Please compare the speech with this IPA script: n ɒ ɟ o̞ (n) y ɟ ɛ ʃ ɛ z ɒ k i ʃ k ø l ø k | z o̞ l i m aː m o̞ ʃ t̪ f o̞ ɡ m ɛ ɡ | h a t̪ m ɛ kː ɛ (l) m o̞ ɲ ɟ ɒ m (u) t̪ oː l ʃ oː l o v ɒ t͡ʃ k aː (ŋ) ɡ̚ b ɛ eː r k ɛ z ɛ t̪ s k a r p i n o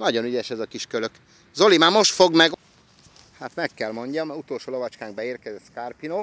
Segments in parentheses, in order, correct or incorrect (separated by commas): correct, correct, correct, correct